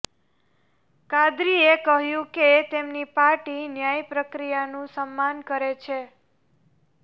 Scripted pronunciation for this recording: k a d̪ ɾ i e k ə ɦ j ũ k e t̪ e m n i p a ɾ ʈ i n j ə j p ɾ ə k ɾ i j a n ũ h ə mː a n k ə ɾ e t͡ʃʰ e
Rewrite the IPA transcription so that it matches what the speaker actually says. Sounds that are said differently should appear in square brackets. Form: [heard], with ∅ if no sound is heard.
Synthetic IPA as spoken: k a d̪ ɾ i e k ə ɦ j ũ k e t̪ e m n i p a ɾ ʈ i n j [a] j p ɾ ə k ɾ i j a n ũ [s] ə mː a n k ə ɾ e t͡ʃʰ e